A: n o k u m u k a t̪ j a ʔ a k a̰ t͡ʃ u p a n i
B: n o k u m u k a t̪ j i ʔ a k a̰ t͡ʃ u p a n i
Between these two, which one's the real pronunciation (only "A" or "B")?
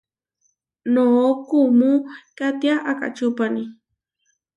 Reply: A